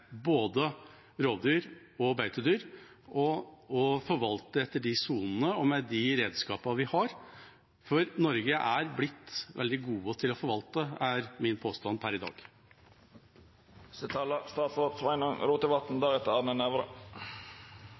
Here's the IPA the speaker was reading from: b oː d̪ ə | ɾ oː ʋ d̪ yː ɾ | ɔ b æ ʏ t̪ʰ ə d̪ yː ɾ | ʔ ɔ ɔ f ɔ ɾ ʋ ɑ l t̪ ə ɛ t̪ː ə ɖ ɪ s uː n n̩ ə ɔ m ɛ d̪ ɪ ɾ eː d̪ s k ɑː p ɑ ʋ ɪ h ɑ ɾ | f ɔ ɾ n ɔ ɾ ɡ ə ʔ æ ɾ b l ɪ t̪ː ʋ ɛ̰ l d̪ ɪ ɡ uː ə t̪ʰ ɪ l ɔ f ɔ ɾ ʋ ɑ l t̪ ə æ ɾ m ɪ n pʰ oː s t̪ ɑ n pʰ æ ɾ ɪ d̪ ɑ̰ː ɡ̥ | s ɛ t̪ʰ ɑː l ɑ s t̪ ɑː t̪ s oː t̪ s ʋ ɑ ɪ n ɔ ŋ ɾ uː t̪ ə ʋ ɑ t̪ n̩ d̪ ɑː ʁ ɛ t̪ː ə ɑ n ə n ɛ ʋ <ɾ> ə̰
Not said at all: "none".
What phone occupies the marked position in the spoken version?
ɾ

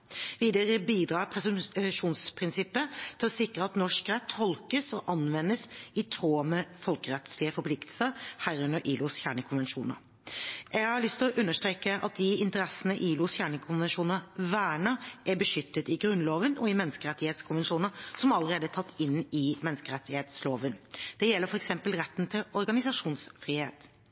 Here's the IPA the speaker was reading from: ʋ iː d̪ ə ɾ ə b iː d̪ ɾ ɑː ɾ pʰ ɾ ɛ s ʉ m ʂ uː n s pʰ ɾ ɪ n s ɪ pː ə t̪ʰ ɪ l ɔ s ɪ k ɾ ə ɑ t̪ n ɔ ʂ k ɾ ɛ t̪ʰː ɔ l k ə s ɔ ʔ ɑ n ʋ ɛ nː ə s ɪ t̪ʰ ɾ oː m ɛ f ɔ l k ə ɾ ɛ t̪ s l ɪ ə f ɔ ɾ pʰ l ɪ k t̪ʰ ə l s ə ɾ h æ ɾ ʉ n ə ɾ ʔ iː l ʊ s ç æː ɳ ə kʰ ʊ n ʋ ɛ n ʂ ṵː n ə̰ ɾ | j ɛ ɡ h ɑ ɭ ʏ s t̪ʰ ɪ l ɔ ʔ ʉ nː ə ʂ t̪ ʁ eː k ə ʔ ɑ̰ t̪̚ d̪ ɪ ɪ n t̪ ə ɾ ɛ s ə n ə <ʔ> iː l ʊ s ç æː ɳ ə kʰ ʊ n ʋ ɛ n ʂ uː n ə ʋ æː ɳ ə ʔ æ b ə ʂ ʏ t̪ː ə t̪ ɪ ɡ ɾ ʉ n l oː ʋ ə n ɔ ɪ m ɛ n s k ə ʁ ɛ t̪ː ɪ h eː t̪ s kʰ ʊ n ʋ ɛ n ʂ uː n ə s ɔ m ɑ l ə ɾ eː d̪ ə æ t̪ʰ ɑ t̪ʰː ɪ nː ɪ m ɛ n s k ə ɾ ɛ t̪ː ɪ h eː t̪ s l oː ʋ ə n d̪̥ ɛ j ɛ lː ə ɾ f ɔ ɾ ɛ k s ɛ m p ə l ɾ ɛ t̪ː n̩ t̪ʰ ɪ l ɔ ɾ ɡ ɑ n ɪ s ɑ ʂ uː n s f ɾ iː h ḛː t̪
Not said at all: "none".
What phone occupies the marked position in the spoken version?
ʔ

